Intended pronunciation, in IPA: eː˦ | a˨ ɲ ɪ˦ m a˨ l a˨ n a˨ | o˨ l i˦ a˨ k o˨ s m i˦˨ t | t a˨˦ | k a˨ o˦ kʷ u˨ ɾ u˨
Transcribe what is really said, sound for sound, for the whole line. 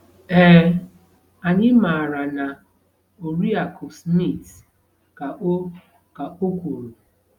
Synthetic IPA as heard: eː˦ | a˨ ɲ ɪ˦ m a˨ ɾ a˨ n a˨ | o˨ ɾ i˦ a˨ k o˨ s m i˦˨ t | k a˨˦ | k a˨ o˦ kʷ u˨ ɾ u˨